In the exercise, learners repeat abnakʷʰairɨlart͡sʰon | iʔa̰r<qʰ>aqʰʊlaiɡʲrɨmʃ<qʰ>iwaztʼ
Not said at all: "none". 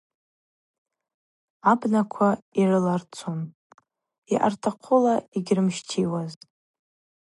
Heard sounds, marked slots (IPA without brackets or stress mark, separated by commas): tʰ, tʰ